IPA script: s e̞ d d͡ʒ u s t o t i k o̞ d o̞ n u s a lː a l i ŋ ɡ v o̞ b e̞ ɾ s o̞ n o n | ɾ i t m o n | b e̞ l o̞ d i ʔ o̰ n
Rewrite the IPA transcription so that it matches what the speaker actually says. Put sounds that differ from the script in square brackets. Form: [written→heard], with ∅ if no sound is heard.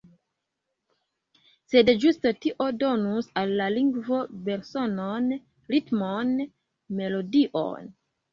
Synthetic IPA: s e̞ d d͡ʒ u s t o t i [k→ʔ] o̞ d o̞ n u s a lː a l i ŋ ɡ v o̞ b e̞ ɾ s o̞ n o n | ɾ i t m o n | [b→m] e̞ l o̞ d i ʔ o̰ n